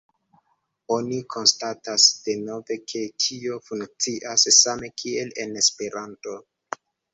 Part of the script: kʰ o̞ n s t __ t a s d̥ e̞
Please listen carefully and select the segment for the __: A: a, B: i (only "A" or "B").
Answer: A